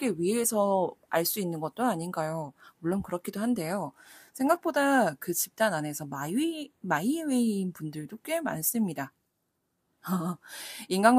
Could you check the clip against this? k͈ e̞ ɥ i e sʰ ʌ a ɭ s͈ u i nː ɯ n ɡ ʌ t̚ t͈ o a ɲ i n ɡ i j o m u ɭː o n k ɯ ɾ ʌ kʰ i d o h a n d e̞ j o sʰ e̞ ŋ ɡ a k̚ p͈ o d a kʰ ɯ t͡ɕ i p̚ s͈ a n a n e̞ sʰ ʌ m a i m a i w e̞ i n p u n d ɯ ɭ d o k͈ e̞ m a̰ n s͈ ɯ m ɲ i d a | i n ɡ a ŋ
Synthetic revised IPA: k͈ e̞ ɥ i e sʰ ʌ a ɭ s͈ u i nː ɯ n ɡ ʌ t̚ t͈ o a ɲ i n ɡ a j o m u ɭː o n k ɯ ɾ ʌ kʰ i d o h a n d e̞ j o sʰ e̞ ŋ ɡ a k̚ p͈ o d a k ɯ t͡ɕ i p̚ t͈ a n a n e̞ sʰ ʌ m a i m a i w e̞ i n p u n d ɯ ɭ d o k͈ e̞ m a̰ n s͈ ɯ m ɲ i d a | i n ɡ a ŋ